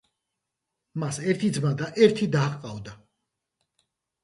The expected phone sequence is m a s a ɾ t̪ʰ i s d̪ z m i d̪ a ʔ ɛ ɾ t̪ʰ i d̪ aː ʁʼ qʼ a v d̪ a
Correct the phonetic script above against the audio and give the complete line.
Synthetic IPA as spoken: m a s ɛ ɾ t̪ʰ i d̪ z m a d̪ a ʔ ɛ ɾ t̪ʰ i d̪ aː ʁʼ qʼ a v d̪ a